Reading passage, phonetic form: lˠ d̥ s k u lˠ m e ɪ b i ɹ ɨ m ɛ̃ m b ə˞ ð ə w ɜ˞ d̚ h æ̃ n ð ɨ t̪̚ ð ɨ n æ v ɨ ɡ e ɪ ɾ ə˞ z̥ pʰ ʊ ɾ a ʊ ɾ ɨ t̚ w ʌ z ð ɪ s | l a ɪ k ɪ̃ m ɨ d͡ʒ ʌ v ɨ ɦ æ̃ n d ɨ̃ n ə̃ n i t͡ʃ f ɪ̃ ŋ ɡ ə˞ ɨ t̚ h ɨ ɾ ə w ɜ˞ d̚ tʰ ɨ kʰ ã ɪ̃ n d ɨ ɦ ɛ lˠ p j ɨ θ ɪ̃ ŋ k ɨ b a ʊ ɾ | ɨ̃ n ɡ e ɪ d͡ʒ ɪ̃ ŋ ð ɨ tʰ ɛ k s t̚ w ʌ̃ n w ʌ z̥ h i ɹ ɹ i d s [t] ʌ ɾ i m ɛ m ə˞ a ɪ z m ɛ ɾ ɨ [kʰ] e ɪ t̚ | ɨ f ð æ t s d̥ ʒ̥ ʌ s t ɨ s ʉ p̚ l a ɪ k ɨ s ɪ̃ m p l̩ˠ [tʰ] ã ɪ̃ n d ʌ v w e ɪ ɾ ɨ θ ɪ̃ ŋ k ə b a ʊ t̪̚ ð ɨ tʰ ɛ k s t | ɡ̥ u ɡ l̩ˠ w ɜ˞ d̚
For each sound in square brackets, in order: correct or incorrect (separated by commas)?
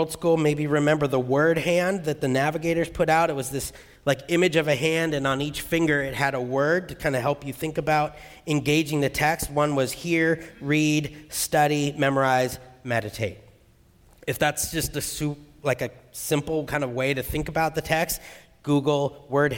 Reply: correct, incorrect, incorrect